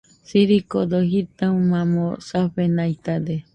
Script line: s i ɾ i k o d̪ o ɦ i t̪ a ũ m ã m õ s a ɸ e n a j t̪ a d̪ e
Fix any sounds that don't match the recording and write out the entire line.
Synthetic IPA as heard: s i ɾ i k o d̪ o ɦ i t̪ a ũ m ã m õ s a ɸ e n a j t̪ a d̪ e

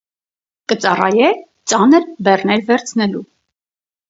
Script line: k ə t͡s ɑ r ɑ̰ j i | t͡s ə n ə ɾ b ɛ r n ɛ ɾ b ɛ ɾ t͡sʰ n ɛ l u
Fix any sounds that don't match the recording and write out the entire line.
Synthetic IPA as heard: k ə t͡s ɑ r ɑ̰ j ɛ | t͡s ɑ n ə ɾ b ɛ r n ɛ ɾ v ɛ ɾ t͡sʰ n ɛ l u

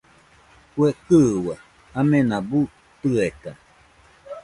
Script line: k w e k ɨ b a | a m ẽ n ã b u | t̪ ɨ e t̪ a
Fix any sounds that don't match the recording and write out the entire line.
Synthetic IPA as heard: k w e k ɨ w a | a m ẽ n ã b u | t̪ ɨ e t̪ a

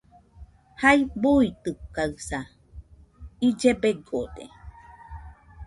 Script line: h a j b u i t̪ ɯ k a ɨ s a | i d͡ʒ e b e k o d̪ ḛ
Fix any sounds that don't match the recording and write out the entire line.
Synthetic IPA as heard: h a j b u i t̪ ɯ k a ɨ s a | i d͡ʒ e b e ɡ o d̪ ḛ

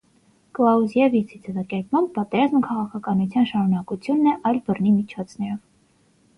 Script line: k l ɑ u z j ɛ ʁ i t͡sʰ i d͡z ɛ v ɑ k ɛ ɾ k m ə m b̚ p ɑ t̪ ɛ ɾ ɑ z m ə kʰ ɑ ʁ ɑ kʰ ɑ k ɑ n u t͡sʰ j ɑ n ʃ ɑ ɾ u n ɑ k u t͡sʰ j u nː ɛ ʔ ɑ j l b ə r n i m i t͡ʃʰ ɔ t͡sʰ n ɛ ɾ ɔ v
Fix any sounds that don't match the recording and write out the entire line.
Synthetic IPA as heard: k l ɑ u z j ɛ v i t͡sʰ i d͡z ɛ v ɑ k ɛ ɾ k m ɑ m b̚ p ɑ t̪ ɛ ɾ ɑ z m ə kʰ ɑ ʁ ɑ kʰ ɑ k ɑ n u t͡sʰ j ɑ n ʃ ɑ ɾ u n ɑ k u t͡sʰ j u nː ɛ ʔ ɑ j l b ə r n i m i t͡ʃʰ ɔ t͡sʰ n ɛ ɾ ɔ v

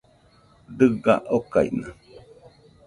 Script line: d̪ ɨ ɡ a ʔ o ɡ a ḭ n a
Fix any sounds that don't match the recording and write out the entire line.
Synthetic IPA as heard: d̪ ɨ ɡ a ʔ o k a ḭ n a

